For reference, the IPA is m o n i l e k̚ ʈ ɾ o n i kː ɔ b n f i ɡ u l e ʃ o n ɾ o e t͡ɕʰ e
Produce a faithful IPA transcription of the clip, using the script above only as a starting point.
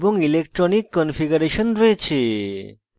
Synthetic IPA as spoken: b o ŋ i l e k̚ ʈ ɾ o n i kː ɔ n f i ɡ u ɾ e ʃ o n ɾ o e t͡ɕʰ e